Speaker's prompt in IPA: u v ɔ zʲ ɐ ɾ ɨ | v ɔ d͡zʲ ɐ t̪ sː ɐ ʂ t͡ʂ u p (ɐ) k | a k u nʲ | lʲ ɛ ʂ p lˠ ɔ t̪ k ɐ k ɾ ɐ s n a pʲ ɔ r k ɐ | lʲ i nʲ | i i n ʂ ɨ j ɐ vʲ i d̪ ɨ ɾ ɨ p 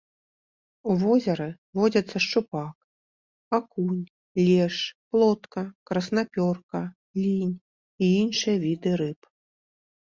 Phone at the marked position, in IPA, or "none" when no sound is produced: a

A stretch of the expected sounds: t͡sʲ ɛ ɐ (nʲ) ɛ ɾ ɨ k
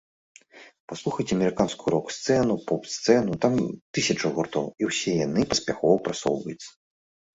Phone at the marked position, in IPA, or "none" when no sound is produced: mʲ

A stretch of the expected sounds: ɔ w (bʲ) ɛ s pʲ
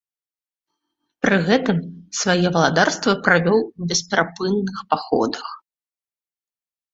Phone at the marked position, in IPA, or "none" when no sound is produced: bʲ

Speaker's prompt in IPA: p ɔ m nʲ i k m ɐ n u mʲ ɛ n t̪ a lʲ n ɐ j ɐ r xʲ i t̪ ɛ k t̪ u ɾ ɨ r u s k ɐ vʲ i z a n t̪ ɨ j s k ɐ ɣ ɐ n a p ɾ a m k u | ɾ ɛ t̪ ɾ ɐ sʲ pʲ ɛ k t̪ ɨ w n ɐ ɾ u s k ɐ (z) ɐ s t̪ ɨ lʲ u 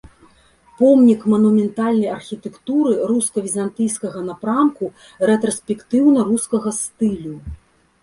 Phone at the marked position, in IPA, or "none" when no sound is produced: ɣ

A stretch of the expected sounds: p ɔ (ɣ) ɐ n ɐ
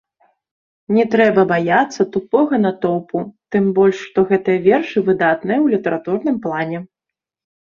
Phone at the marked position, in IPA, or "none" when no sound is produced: ɣ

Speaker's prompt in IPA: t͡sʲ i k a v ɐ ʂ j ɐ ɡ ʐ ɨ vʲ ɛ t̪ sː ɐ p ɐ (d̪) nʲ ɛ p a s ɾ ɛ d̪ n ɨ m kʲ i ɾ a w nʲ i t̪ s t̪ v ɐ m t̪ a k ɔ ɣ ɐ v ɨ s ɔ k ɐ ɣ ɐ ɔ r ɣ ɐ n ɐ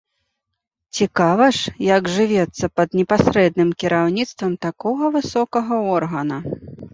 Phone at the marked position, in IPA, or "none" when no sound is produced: d̪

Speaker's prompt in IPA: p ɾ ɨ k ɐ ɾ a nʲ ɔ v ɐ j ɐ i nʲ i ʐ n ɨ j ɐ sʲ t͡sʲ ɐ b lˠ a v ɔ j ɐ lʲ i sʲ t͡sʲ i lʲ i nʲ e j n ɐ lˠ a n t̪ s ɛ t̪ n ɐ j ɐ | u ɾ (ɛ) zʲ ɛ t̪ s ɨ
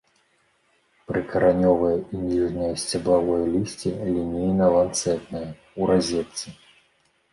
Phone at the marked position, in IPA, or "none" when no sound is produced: a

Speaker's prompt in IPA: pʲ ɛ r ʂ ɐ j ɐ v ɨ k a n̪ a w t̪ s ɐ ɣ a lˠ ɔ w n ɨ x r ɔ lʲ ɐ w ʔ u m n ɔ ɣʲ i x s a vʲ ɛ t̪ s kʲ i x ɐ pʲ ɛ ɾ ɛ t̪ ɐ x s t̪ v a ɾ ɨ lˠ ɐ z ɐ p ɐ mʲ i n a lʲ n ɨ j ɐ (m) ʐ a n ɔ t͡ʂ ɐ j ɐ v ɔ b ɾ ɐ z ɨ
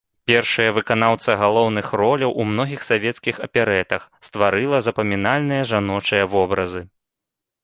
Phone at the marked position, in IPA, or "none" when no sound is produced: none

